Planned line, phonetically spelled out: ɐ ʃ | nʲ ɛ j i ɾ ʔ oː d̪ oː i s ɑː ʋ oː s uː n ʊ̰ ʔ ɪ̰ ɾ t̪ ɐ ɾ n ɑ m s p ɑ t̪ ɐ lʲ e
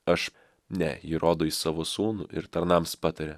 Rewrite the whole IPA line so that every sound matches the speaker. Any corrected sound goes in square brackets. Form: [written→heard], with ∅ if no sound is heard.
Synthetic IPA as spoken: ɐ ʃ | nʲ ɛ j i ɾ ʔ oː d̪ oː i s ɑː ʋ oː s uː n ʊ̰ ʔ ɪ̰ ɾ t̪ ɐ ɾ n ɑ m s p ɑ t̪ ɐ [lʲ→ɾʲ] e